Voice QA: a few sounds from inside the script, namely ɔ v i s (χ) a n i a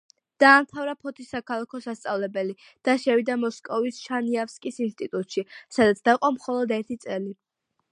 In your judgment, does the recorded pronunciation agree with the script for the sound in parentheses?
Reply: no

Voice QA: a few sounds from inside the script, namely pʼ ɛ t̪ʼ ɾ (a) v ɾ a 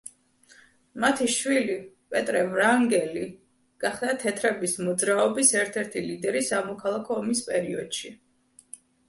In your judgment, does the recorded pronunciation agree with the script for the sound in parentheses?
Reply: no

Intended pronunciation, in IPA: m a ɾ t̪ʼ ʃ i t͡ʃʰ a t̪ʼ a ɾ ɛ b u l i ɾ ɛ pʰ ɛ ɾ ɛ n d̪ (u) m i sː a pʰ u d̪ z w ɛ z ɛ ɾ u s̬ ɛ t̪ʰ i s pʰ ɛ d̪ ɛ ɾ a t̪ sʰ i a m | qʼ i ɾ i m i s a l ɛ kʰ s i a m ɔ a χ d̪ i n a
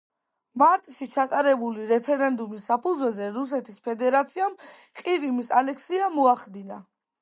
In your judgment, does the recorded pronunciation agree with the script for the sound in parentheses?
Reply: yes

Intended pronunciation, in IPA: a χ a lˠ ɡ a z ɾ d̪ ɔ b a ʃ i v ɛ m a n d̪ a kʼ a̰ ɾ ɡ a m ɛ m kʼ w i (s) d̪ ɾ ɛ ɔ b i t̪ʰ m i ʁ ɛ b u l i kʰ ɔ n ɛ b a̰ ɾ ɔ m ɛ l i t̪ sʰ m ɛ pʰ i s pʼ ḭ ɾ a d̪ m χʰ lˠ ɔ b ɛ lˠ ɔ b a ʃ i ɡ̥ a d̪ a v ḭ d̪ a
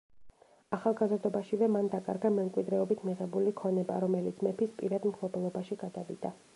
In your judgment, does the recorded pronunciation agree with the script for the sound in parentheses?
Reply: no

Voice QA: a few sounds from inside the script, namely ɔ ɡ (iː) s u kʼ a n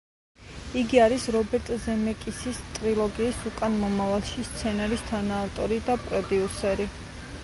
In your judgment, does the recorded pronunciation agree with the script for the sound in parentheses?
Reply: yes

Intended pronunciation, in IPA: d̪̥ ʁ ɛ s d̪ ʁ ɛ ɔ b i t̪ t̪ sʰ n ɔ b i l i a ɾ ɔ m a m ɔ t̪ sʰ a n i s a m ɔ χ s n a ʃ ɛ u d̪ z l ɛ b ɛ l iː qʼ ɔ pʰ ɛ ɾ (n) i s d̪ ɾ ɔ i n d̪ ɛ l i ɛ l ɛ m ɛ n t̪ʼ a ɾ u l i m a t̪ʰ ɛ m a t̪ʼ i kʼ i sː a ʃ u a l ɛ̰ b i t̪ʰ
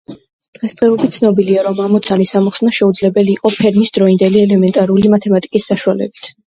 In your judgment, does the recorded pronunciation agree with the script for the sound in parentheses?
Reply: no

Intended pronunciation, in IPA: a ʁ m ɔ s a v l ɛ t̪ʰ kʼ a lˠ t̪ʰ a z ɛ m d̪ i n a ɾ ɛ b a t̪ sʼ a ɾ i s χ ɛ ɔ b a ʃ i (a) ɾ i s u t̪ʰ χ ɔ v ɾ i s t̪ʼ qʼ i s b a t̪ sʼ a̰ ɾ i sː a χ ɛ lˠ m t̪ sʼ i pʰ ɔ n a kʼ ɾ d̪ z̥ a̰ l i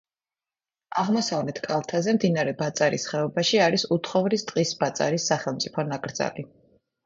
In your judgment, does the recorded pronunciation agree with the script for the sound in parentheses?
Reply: yes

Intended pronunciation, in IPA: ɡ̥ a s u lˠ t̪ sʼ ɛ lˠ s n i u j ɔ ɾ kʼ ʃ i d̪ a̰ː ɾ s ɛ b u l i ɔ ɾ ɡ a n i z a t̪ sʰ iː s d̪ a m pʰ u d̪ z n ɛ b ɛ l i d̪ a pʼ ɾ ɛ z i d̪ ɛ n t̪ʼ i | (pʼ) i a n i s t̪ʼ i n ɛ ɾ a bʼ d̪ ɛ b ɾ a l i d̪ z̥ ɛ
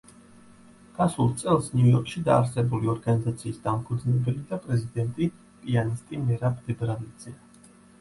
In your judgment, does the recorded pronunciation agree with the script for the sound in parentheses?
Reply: yes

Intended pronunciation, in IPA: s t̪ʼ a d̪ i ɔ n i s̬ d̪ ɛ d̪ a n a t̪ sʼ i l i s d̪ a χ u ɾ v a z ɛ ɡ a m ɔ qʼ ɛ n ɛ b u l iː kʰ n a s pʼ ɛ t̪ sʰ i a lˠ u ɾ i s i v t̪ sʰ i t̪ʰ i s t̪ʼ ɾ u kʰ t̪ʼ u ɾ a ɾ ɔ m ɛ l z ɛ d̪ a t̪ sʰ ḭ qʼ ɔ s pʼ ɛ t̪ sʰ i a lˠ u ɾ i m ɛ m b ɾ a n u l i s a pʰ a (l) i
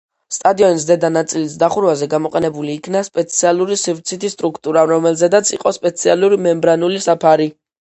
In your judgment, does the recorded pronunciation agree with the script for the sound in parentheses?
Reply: no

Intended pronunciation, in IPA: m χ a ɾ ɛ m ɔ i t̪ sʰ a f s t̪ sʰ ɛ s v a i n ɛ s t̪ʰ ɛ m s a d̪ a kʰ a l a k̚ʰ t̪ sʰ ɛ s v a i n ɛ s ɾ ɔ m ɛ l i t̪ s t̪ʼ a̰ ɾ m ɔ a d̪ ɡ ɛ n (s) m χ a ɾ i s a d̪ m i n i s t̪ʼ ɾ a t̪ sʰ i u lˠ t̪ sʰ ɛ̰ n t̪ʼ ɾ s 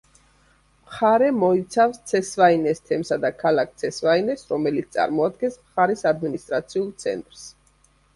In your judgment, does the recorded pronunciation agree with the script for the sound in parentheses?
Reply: yes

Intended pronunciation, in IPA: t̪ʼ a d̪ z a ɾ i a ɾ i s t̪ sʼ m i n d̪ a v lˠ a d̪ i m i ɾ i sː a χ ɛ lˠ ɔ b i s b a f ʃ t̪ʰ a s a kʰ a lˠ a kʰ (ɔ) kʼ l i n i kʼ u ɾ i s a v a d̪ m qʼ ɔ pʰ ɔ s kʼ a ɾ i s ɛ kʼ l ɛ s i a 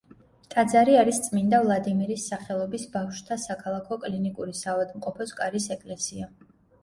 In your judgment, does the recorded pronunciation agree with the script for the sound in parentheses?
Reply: yes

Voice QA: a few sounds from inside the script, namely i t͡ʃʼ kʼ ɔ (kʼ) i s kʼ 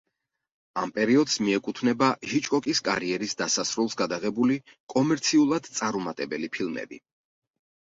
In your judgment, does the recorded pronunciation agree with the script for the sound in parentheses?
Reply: yes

